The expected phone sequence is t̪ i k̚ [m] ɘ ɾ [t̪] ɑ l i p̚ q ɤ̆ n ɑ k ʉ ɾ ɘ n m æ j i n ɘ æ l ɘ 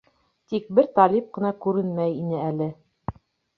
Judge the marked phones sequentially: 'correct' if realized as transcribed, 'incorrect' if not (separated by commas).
incorrect, correct